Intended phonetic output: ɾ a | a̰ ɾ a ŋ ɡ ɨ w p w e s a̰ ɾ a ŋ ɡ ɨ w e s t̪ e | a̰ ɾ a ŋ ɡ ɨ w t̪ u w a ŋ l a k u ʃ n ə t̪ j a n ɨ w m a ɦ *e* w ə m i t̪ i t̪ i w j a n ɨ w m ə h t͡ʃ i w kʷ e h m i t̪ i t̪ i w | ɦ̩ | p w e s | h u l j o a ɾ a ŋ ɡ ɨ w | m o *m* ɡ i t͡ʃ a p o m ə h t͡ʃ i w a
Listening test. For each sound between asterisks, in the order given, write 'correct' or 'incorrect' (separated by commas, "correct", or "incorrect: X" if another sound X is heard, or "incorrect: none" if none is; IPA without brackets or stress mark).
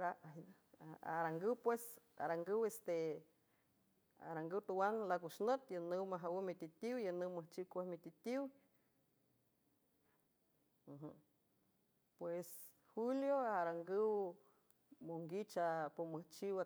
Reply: incorrect: a, incorrect: ŋ